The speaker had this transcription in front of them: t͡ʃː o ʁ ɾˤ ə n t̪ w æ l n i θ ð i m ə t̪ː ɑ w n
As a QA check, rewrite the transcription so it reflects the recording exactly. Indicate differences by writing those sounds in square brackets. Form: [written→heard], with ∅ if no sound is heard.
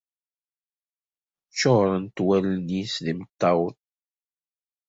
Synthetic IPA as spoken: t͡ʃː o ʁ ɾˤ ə n t̪ w æ l n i [θ→s] ð i m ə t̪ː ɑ w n